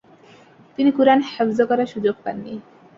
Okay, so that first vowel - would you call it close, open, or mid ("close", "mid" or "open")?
close